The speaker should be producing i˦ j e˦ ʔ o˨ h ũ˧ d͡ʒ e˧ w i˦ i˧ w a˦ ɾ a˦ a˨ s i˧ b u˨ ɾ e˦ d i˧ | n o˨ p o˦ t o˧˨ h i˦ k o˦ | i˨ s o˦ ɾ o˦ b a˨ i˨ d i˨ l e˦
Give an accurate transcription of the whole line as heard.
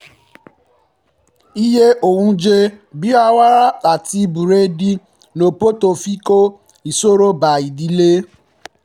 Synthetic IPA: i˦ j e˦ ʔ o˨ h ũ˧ d͡ʒ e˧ b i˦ a˧ w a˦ ɾ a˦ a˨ t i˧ b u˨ ɾ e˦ d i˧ | n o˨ p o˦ t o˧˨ f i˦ k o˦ | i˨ s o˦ ɾ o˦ b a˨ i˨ d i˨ l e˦